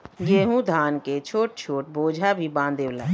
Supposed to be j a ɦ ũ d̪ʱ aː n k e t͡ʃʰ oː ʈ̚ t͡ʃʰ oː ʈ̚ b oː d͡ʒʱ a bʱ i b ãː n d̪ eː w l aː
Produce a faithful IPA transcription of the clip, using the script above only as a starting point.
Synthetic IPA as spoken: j e ɦ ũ d̪ʱ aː n k e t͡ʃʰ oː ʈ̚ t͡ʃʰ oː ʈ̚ b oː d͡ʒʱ a bʱ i b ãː n d̪ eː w l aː